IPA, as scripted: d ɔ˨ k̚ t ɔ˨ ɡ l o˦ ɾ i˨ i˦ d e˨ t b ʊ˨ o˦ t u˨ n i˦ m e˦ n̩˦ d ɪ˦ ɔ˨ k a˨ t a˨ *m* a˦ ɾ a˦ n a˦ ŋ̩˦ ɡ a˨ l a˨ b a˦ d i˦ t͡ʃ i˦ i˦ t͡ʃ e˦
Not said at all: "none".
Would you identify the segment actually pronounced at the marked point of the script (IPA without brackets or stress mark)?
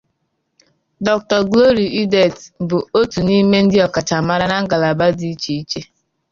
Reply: m